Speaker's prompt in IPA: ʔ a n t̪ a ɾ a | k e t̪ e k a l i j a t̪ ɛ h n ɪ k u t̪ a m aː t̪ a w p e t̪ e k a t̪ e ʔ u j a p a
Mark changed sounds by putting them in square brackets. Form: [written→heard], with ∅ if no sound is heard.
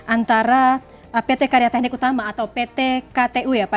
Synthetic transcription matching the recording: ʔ a n t̪ a ɾ a | [k→p] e t̪ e k a [l→ɾ] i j a t̪ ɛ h n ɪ k u t̪ a m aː t̪ a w p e t̪ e k a t̪ e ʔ u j a p a